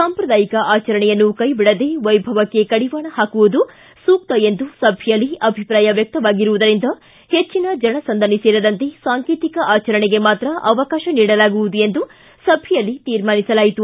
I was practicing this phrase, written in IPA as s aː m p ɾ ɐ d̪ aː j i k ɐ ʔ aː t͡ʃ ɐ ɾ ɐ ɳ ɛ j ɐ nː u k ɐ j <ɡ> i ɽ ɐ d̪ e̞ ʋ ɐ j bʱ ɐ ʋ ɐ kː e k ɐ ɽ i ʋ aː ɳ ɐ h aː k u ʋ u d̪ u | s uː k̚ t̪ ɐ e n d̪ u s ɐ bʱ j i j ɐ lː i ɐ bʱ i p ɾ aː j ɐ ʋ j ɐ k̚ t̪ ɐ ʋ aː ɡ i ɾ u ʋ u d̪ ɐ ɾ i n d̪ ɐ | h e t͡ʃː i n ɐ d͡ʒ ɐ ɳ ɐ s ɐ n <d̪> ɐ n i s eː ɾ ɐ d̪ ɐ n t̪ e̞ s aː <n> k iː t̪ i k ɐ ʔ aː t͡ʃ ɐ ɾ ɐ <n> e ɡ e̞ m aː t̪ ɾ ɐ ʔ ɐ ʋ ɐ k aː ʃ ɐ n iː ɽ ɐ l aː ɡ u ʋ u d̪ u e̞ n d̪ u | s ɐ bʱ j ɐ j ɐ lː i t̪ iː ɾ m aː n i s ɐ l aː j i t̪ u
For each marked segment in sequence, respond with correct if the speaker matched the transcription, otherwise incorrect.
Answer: incorrect: b, correct, incorrect: ŋ, incorrect: ɳ

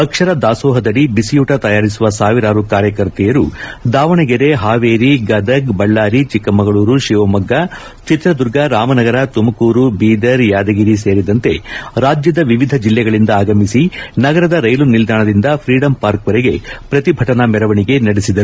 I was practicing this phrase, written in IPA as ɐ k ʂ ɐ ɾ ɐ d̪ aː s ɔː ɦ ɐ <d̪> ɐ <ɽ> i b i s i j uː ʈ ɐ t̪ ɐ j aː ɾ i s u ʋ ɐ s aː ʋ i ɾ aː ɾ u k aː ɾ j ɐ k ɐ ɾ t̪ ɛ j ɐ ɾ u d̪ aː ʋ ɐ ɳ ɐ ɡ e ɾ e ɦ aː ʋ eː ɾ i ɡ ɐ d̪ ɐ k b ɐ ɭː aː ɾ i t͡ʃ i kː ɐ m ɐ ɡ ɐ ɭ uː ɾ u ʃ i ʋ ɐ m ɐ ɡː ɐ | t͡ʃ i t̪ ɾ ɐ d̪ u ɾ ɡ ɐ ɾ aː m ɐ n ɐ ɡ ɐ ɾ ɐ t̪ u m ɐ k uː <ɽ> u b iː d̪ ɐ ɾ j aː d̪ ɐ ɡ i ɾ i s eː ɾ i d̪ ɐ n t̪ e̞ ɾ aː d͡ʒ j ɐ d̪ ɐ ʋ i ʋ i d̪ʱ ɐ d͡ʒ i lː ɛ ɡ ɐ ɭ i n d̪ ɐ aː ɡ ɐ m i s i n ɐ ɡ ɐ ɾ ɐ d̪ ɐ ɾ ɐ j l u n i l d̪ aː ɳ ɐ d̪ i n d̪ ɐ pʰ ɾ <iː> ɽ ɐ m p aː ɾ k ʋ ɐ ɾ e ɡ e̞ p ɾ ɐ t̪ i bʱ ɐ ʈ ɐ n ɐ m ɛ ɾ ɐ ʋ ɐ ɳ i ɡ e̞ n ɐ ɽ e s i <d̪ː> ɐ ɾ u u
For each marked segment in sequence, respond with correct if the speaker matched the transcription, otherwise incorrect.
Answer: correct, correct, incorrect: ɾ, correct, incorrect: d̪

